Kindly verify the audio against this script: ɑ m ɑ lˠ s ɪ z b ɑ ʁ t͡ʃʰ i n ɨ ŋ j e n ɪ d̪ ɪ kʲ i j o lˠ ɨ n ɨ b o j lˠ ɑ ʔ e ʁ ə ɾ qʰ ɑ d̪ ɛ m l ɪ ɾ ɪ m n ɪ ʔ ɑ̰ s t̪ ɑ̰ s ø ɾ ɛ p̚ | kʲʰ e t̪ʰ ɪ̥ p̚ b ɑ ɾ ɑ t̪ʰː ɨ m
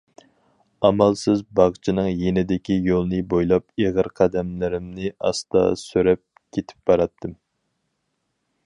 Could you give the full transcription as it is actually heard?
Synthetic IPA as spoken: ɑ m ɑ lˠ s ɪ z b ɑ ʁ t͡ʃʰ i n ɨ ŋ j e n ɪ d̪ ɪ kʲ i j o lˠ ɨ n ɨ b o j lˠ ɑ p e ʁ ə ɾ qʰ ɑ d̪ ɛ m l ɪ ɾ ɪ m n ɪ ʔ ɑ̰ s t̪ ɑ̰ s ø ɾ ɛ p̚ | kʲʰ e t̪ʰ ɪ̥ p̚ b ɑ ɾ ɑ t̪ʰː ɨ m